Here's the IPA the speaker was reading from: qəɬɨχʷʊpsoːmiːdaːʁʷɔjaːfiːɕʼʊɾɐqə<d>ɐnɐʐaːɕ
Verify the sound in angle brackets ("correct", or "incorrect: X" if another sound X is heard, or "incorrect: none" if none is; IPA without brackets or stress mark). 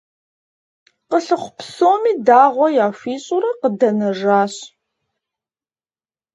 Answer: correct